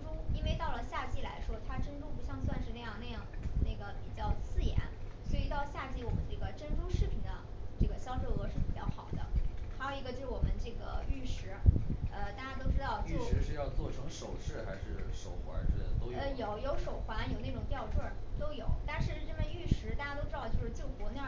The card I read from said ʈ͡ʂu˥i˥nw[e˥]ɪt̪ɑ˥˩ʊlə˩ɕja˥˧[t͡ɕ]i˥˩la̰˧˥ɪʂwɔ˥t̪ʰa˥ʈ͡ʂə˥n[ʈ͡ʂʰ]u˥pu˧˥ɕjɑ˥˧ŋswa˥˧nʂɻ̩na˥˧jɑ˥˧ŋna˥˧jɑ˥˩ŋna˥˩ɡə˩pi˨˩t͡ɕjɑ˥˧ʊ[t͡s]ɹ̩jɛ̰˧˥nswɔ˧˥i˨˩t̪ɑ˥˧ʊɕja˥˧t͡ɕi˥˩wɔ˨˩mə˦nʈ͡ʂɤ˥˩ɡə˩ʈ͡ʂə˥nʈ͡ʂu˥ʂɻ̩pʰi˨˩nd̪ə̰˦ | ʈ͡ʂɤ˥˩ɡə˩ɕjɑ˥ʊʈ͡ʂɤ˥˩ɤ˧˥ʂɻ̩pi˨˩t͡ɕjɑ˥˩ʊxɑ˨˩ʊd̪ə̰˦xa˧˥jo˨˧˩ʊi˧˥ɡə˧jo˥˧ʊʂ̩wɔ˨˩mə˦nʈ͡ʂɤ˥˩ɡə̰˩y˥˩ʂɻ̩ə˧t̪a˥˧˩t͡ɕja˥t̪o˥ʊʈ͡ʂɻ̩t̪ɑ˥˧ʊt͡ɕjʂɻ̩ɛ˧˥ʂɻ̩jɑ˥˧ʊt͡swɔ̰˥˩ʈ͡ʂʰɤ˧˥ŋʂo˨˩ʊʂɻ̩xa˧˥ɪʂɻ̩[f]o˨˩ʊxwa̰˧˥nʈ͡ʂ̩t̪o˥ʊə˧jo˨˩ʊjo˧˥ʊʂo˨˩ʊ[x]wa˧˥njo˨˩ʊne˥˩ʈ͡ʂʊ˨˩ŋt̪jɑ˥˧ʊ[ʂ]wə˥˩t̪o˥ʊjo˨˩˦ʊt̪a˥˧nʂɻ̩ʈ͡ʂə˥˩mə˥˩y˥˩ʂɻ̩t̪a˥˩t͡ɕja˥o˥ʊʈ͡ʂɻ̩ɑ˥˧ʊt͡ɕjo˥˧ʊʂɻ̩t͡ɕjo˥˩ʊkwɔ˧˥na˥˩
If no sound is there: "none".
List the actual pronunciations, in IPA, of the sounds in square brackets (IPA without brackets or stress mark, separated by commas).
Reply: e˥˧, t͡ɕ, ʈ͡ʂ, t͡sʰ, ʂ, x, ʈ͡ʂ